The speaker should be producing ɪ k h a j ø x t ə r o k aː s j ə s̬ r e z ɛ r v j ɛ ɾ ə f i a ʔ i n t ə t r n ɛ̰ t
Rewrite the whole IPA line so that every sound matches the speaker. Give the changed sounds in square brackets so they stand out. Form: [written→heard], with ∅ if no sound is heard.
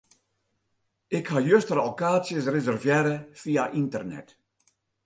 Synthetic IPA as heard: ɪ k h a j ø [x→s] t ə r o k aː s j ə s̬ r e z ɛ r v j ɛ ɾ ə f i a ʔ i n t ə [t→∅] r n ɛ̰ t